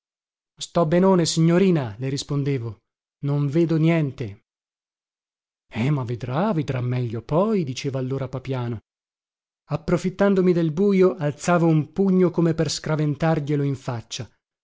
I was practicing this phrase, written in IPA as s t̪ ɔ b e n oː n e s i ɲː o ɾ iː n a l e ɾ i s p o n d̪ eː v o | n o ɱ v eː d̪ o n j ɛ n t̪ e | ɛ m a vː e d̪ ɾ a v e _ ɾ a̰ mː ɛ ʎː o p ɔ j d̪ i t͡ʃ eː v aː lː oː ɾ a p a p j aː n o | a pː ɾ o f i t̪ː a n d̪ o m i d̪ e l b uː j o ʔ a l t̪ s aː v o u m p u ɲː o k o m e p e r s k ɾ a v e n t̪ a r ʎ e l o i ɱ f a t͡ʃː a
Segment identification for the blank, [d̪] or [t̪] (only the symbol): d̪